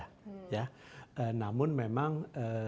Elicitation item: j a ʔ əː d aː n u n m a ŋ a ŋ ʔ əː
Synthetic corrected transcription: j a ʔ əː n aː m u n m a m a ŋ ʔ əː